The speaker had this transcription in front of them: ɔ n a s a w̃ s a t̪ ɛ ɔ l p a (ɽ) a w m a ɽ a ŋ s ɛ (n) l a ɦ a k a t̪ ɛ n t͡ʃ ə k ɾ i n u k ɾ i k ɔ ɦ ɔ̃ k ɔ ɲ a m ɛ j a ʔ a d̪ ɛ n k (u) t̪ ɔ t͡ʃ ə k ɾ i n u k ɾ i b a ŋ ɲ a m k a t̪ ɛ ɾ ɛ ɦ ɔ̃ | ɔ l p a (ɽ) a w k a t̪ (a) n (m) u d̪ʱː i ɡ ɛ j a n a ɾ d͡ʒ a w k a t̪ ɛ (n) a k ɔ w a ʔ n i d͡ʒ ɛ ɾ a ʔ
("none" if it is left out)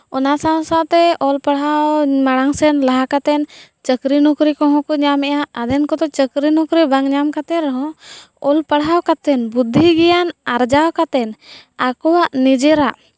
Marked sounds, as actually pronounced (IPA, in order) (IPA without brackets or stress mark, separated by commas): ɽ, n, ɔ, ɽ, ɛ, b, n